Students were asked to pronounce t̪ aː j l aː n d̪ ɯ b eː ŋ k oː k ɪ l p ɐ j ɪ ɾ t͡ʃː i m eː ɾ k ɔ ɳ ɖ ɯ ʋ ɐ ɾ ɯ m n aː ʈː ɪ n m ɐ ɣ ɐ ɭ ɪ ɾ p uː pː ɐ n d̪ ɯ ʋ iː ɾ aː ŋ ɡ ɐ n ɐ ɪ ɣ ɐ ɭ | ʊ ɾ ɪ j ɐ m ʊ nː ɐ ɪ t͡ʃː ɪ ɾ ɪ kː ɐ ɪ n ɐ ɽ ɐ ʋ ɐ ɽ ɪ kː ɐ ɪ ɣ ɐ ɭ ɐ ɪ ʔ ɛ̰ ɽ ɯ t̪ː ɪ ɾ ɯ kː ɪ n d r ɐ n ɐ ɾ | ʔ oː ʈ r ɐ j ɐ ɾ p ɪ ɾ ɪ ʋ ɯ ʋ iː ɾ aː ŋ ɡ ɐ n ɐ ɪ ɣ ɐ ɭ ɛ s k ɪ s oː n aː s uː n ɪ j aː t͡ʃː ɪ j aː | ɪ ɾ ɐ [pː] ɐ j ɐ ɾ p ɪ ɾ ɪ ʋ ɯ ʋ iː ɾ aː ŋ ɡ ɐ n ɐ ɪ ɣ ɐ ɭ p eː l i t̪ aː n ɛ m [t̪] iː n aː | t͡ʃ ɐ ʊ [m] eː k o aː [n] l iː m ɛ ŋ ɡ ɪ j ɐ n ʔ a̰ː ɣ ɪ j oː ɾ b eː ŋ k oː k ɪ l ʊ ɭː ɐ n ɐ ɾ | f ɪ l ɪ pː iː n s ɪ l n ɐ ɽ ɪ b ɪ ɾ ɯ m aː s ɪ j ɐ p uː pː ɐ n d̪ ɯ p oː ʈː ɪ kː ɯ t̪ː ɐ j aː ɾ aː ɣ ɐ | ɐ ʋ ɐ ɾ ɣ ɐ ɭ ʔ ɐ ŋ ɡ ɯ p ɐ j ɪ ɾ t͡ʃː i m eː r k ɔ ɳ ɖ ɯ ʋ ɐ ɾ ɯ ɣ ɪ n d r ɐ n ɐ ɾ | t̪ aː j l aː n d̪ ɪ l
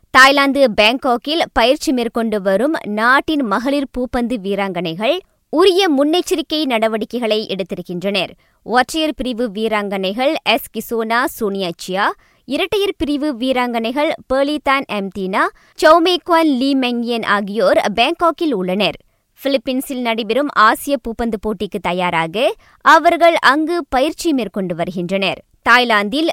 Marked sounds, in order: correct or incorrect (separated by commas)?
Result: incorrect, correct, correct, correct